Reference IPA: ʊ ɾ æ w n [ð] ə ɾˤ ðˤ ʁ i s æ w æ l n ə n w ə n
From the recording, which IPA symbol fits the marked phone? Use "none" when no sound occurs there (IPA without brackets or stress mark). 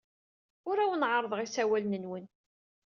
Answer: ʕ